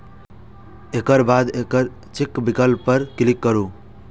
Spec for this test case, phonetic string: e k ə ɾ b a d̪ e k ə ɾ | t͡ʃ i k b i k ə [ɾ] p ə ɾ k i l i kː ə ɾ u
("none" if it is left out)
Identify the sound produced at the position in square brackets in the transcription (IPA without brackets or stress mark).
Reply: l